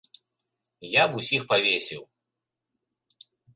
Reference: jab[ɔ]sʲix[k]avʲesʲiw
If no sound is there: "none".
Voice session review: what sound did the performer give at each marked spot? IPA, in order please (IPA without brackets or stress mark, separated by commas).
u, p